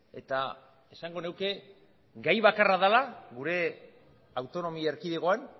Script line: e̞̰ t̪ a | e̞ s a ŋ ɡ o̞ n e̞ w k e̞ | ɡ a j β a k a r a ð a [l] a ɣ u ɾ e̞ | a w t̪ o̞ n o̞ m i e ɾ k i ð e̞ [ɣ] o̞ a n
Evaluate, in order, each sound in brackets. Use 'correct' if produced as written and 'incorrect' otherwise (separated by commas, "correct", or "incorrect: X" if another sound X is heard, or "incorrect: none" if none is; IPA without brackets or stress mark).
correct, correct